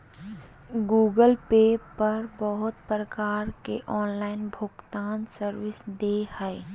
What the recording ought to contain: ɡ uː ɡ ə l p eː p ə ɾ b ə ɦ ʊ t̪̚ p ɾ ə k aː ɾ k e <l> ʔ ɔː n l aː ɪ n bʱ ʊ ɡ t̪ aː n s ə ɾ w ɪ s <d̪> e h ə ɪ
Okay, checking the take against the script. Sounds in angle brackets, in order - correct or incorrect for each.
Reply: incorrect: none, correct

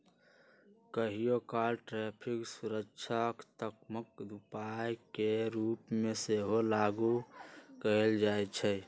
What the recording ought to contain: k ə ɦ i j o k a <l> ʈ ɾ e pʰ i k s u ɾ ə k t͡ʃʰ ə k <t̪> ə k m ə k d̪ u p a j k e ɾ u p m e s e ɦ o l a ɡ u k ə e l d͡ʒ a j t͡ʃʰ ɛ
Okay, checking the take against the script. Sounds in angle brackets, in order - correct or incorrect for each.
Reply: correct, correct

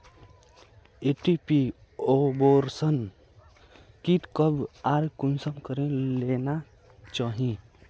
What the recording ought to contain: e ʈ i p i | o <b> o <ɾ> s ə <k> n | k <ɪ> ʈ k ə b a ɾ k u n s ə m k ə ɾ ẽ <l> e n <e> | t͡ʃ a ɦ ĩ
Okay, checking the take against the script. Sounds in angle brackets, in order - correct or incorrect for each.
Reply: correct, correct, incorrect: none, incorrect: i, correct, incorrect: a

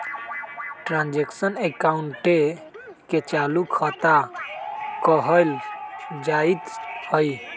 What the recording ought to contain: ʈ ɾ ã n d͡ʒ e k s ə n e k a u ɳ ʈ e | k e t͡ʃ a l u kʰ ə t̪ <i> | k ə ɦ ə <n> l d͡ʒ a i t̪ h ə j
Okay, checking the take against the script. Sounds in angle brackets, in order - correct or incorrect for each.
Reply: incorrect: a, incorrect: none

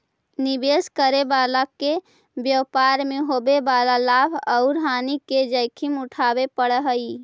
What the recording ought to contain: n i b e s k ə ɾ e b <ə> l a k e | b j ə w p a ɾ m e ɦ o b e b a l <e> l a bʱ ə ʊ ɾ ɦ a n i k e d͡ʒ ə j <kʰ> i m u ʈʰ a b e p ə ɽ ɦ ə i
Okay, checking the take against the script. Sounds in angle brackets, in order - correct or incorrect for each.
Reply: incorrect: a, incorrect: a, correct

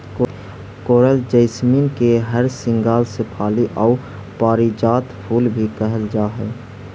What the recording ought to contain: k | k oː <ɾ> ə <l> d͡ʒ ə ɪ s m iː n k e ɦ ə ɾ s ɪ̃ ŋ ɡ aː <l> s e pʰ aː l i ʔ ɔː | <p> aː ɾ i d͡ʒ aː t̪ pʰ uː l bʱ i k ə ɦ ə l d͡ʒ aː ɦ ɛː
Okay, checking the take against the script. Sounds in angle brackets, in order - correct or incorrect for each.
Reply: correct, correct, correct, correct

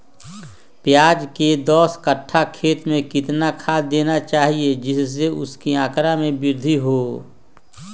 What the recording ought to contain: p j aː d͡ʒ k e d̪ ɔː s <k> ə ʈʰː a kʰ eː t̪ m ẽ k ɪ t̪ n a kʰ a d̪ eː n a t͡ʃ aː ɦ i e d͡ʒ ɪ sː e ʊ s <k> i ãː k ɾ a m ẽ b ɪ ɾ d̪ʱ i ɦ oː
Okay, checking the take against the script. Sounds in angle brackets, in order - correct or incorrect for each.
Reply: correct, correct

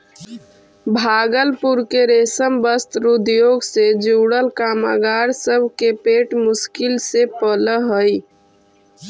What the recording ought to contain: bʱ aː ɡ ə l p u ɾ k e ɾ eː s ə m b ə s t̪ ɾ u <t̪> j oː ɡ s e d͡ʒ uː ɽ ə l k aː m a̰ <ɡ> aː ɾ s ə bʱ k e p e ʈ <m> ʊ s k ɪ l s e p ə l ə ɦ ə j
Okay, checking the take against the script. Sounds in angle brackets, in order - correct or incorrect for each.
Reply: incorrect: d̪, correct, correct

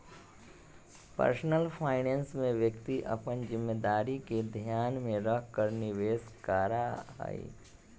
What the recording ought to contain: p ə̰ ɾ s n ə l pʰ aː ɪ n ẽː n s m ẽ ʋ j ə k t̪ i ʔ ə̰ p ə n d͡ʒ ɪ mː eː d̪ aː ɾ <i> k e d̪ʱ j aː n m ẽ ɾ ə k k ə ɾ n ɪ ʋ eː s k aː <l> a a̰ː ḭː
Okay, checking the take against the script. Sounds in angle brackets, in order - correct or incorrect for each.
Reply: correct, incorrect: ɾ

